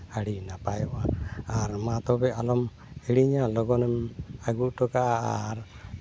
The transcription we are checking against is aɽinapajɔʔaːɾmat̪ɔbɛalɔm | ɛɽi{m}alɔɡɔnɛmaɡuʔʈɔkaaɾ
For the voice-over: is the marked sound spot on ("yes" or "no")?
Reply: no